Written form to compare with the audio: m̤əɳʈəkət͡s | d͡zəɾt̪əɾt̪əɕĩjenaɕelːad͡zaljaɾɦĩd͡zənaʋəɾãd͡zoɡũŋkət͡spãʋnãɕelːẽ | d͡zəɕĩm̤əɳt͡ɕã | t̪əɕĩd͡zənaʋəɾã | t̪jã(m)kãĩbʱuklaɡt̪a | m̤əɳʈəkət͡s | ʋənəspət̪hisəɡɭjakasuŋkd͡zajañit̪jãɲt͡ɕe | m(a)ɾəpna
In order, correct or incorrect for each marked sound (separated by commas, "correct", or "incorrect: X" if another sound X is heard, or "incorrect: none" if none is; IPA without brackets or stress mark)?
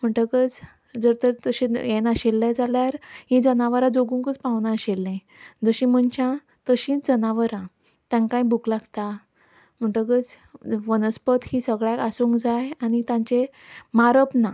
incorrect: ŋ, correct